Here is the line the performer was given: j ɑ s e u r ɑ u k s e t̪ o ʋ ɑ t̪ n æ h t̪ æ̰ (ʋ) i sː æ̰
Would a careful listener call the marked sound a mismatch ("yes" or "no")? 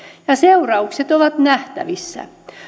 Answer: no